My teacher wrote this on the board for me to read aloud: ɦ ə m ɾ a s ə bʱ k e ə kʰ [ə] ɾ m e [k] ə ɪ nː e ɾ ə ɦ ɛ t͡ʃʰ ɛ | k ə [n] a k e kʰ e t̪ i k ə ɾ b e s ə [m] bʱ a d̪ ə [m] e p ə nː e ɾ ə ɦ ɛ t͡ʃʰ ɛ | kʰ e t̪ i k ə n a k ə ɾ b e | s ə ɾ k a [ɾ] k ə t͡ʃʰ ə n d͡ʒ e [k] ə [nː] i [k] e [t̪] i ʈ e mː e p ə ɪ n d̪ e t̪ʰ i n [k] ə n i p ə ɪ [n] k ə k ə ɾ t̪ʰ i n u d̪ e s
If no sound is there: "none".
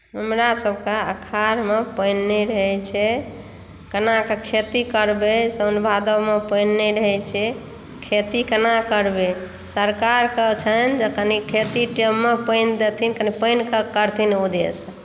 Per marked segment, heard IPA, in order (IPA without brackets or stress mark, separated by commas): a, p, n, n, m, ɾ, k, n, kʰ, t̪, k, n